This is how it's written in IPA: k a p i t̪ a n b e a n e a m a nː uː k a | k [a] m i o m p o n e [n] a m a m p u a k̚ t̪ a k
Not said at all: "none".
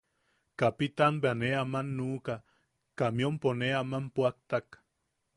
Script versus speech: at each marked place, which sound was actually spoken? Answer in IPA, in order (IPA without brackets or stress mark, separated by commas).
a, none